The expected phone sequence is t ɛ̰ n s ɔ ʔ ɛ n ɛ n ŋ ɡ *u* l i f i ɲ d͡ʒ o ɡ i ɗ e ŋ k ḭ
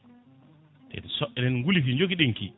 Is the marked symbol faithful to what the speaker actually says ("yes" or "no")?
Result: yes